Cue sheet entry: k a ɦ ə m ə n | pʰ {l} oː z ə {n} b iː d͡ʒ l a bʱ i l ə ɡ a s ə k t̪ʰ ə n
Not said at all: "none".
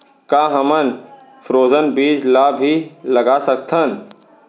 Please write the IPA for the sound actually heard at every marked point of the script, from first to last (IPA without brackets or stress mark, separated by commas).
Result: ɾ, n